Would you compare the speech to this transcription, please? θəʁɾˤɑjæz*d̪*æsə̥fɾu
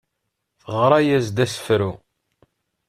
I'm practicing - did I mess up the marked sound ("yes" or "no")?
no